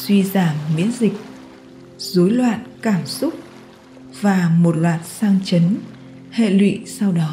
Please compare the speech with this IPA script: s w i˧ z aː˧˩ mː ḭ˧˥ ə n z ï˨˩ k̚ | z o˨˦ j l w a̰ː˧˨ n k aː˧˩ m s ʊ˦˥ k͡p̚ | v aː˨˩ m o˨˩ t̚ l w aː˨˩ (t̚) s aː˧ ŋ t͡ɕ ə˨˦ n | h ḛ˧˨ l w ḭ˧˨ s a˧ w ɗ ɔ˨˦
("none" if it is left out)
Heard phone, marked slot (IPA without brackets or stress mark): t̚